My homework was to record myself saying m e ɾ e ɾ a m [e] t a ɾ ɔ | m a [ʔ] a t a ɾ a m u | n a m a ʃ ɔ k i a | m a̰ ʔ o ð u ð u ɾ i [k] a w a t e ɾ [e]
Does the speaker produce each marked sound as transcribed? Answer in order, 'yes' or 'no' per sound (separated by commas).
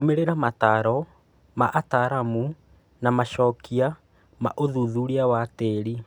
no, yes, no, no